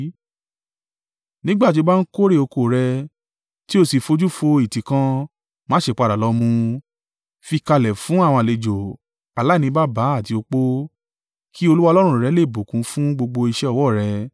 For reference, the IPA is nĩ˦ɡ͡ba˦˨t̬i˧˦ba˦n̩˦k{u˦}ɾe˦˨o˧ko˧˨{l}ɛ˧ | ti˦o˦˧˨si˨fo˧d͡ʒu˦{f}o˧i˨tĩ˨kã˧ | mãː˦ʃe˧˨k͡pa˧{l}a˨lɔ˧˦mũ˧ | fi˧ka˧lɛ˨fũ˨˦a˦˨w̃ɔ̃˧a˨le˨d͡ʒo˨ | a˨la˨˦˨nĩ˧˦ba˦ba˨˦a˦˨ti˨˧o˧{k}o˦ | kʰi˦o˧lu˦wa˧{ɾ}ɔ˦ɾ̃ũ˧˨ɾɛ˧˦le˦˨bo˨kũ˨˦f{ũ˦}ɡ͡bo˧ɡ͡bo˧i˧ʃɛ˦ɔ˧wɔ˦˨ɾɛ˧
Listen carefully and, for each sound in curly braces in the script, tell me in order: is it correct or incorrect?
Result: incorrect: o˦, incorrect: ɾ, correct, incorrect: ɾ, incorrect: k͡p, incorrect: l, correct

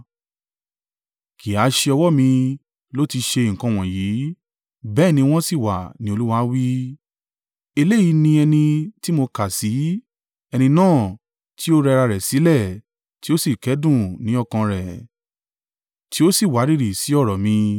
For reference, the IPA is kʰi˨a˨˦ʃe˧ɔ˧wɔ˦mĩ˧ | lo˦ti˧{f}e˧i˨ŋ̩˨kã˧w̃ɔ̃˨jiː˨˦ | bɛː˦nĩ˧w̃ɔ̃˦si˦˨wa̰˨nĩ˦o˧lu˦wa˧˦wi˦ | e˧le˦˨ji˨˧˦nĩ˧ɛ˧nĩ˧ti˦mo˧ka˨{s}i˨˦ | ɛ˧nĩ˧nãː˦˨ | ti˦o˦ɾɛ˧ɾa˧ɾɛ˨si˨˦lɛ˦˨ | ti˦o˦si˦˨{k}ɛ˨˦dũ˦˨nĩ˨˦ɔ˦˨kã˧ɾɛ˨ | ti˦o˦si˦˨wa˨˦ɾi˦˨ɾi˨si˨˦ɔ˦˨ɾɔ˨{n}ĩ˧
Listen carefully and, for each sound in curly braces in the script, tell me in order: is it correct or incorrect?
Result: incorrect: ʃ, correct, correct, incorrect: m

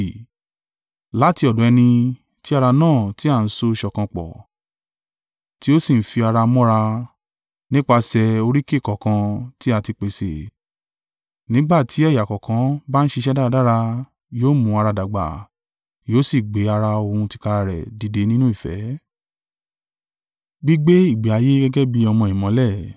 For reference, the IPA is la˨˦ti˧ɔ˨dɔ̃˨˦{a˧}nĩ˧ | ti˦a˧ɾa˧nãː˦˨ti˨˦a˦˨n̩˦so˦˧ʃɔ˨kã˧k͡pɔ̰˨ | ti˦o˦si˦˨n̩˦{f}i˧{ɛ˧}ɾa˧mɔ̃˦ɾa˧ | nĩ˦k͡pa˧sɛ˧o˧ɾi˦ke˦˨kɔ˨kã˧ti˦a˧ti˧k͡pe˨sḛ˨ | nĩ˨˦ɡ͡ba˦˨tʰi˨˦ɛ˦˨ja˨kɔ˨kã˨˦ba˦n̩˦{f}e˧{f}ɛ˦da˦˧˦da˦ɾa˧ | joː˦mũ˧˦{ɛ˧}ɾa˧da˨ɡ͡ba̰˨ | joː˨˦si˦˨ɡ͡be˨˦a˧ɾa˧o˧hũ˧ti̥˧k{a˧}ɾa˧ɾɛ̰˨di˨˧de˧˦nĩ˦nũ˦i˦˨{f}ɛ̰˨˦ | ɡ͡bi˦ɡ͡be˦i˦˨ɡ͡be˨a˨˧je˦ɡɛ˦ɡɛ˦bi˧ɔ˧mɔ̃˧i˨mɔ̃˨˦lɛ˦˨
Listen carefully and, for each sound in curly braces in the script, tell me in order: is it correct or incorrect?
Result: incorrect: ɛ˧, correct, incorrect: a˧, incorrect: ʃ, incorrect: ʃ, incorrect: a˧, correct, correct

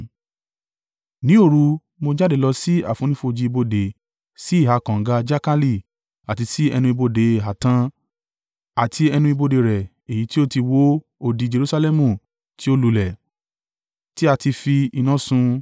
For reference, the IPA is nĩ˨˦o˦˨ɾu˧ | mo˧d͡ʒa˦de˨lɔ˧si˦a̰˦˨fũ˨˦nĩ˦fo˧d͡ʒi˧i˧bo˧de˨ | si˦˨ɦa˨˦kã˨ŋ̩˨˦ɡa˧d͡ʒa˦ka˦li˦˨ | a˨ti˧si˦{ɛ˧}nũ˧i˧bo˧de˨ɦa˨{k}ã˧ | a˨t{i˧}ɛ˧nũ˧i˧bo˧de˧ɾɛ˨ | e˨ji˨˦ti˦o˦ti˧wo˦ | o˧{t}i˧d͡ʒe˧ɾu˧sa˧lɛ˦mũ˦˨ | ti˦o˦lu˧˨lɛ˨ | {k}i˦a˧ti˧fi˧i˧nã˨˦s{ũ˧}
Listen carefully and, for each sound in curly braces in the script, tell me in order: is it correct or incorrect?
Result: correct, incorrect: t, correct, incorrect: d, incorrect: t, correct

